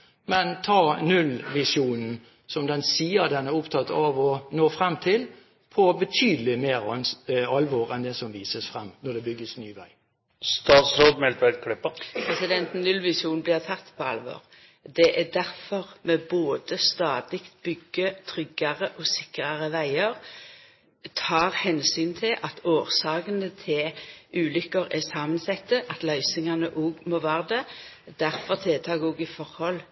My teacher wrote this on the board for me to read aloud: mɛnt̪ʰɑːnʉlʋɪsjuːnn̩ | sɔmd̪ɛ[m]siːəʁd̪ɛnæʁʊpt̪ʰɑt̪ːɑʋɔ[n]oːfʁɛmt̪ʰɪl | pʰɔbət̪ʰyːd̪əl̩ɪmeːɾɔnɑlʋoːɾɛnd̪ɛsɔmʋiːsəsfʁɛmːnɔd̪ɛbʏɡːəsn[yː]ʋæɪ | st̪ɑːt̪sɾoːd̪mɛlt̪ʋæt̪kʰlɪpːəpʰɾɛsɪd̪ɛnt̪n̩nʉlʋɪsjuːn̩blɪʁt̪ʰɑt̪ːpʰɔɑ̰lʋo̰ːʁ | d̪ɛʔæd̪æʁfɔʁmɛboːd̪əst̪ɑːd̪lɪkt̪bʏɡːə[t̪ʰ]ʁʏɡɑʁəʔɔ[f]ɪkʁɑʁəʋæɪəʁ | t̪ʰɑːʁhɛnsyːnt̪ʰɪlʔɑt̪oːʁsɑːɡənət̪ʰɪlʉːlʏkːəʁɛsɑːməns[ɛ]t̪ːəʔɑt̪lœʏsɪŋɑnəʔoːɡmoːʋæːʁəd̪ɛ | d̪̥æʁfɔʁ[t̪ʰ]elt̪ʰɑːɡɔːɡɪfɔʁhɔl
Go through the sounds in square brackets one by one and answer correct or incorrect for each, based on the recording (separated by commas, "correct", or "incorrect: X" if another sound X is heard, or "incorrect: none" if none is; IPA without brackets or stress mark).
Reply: incorrect: n, correct, correct, correct, incorrect: s, correct, correct